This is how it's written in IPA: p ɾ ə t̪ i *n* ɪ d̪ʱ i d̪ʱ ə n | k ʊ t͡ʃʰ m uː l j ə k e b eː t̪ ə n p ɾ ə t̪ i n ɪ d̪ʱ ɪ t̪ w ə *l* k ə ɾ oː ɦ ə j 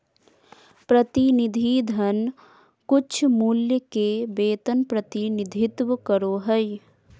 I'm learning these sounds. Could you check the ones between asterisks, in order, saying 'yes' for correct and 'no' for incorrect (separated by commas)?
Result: yes, no